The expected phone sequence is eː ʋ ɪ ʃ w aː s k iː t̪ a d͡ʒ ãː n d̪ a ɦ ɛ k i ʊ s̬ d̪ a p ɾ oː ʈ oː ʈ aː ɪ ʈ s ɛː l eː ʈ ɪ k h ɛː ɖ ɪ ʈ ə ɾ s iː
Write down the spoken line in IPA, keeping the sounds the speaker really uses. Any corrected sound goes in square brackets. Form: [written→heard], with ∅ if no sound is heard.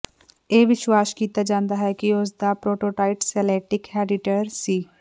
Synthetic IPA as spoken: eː ʋ ɪ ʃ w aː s k iː t̪ a d͡ʒ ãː n d̪ a ɦ ɛ k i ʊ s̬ d̪ a p ɾ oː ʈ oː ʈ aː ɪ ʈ s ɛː l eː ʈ ɪ k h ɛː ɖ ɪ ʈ ə ɾ s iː